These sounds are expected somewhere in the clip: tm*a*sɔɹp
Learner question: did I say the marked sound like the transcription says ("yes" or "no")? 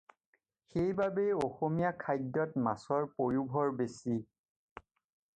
yes